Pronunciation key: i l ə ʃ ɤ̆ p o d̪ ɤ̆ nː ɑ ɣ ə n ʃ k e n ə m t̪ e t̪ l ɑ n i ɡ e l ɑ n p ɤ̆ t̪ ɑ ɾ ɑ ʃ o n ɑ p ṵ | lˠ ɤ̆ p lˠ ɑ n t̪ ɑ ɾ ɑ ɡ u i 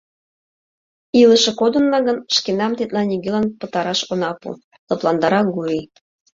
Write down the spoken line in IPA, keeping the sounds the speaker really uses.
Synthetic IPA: i l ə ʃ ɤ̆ k o d̪ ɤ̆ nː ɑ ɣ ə n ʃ k e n ɑ m t̪ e t̪ l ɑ n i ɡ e l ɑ n p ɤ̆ t̪ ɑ ɾ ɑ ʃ o n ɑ p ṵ | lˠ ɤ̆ p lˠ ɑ n d̪ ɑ ɾ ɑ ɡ u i